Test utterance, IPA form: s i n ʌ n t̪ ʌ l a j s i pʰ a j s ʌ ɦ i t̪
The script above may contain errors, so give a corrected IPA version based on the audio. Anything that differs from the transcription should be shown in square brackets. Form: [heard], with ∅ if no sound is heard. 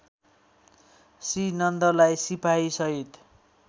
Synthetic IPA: s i n ʌ n [d̪] ʌ l a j s i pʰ a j s ʌ ɦ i t̪

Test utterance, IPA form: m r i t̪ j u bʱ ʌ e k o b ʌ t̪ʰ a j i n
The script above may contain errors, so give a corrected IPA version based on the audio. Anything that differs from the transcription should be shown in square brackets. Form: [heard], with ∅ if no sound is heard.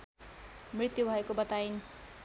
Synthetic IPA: m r i t̪ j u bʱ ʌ e k o b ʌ [t̪] a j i n

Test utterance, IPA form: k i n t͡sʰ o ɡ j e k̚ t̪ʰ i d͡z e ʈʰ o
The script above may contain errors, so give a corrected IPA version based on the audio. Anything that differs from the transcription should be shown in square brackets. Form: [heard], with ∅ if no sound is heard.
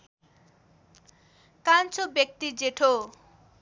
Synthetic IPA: k [a] n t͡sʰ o [b] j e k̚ [t̪] i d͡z e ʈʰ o

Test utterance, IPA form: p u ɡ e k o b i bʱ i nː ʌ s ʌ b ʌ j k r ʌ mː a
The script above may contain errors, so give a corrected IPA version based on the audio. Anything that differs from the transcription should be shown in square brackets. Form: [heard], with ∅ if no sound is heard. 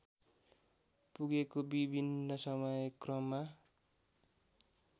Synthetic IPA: p u ɡ e k o b i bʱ i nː ʌ s ʌ [m] ʌ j k r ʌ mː a

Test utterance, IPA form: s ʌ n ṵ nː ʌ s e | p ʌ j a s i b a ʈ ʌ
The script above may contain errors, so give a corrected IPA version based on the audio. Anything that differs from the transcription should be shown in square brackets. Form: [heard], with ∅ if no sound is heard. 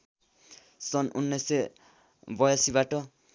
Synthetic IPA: s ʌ n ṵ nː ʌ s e | [b] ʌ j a s i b a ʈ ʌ

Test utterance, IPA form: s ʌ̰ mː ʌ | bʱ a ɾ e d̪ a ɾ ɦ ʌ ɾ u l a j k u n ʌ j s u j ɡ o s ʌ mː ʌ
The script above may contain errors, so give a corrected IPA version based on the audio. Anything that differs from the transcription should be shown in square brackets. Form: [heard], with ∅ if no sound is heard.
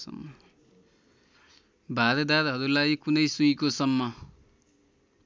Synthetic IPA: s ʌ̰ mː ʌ | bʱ a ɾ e d̪ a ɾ ɦ ʌ ɾ u l a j k u n ʌ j s u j [k] o s ʌ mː ʌ

